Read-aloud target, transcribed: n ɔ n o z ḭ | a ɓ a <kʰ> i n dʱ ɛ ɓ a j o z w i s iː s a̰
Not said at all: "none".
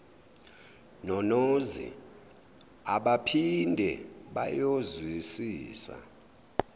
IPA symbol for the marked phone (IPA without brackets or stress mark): pʰ